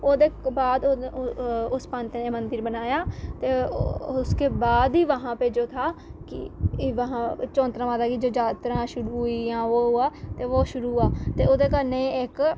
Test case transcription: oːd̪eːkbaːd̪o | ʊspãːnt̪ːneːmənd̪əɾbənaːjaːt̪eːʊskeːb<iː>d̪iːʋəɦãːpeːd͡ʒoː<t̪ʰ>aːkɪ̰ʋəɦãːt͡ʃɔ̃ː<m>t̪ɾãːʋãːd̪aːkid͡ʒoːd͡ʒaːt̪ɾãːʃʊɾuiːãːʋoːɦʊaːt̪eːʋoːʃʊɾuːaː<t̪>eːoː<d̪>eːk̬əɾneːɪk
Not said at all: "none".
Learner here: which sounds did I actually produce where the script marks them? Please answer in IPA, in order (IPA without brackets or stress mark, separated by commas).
aː, t̪ʰ, n, t̪, d̪